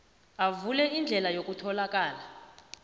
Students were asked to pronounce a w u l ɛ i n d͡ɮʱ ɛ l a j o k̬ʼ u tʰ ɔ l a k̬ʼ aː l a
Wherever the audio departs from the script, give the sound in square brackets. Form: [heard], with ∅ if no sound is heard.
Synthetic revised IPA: a [v] u l ɛ i n d͡ɮʱ ɛ l a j o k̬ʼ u tʰ ɔ l a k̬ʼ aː l a